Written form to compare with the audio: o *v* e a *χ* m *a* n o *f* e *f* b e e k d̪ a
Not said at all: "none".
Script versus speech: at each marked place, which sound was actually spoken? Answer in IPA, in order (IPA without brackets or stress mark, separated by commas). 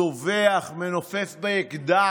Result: v, χ, e, f, f